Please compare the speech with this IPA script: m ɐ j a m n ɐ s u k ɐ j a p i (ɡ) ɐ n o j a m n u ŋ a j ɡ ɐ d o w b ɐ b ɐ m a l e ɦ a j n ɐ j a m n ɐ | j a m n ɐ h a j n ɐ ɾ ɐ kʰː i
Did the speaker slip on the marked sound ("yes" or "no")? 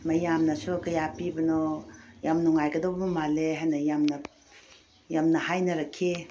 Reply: yes